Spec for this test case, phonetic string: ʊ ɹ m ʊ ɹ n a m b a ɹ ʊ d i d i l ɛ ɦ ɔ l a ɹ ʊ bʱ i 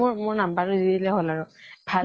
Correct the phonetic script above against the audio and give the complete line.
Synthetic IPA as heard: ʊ ɹ m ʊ ɹ n a m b a ɹ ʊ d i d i l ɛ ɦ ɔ l a ɹ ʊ bʱ a